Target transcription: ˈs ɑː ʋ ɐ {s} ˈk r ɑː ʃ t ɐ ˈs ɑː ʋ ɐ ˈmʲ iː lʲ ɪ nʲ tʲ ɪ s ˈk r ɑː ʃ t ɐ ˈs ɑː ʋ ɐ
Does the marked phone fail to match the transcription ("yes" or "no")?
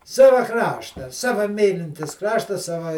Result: yes